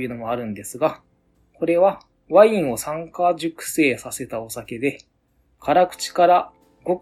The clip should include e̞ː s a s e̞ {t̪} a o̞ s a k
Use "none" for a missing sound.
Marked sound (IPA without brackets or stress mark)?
t̪